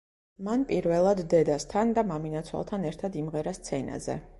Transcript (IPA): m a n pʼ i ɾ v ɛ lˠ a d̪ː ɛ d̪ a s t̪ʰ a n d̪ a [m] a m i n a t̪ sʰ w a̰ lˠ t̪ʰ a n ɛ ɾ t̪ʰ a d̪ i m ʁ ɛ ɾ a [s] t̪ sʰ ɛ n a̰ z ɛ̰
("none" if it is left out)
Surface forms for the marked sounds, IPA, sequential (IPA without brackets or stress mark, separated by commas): m, s